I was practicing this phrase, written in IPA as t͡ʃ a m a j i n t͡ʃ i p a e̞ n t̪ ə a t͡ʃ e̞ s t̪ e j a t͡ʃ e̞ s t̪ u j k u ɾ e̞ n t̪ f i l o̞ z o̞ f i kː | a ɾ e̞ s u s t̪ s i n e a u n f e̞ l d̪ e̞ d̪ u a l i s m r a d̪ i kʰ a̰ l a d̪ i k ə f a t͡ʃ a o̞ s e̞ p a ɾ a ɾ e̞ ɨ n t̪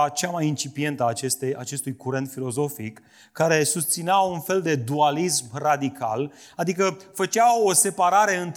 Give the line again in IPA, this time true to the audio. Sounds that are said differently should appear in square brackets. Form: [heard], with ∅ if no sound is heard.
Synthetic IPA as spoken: t͡ʃ a m a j i n t͡ʃ i p [i] e̞ n t̪ ə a t͡ʃ e̞ s t̪ e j a t͡ʃ e̞ s t̪ u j k u ɾ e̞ n t̪ f i l o̞ z o̞ f i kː | a ɾ e̞ s u s t̪ s i n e a u n f e̞ l d̪ e̞ d̪ u a l i s m r a d̪ i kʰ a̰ l a d̪ i k ə f [ə] t͡ʃ a o̞ s e̞ p a ɾ a ɾ e̞ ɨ n t̪